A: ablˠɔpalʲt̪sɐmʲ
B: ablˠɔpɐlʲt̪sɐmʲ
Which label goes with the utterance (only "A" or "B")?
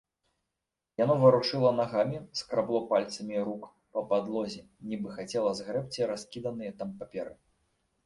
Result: A